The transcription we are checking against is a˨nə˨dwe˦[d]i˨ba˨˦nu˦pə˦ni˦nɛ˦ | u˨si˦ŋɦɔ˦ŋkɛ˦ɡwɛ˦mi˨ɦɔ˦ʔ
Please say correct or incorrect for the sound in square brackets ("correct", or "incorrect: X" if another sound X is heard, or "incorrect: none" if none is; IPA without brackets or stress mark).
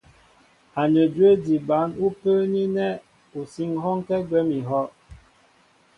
correct